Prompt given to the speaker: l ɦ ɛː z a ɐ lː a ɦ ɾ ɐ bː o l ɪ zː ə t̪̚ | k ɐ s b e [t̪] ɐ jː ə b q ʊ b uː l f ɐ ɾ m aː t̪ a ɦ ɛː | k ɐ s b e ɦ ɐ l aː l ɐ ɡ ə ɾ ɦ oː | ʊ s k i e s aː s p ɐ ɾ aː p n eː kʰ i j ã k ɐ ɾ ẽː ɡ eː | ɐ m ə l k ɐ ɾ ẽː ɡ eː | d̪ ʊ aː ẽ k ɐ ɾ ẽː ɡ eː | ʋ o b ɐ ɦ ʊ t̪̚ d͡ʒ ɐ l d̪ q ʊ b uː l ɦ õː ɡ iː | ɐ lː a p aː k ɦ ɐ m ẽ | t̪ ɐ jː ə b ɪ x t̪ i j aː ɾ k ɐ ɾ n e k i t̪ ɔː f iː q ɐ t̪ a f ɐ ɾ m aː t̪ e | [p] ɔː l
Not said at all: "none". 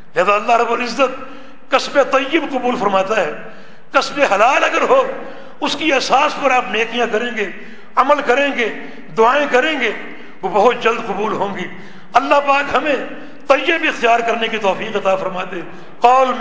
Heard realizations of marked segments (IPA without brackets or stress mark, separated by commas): t̪, q